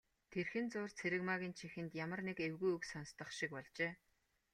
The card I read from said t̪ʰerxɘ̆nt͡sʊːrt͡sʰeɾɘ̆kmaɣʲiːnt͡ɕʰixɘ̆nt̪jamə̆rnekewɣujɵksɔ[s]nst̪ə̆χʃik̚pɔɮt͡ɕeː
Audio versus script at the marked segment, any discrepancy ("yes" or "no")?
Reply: yes